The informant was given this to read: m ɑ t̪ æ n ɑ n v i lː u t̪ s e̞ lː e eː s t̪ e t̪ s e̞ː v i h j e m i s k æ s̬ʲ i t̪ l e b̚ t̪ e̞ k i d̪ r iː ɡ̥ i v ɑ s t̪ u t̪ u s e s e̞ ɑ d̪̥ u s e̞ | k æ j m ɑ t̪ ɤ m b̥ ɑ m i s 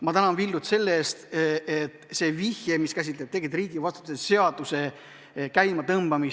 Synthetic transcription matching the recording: m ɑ t̪ æ n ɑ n v i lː u t̪ s e̞ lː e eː s t̪ e t̪ s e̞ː v i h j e m i s k æ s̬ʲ i t̪ l e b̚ t̪ e̞ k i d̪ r iː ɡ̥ i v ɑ s t̪ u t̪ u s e s e̞ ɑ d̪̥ u s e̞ | k æ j m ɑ t̪ ɤ m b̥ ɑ m i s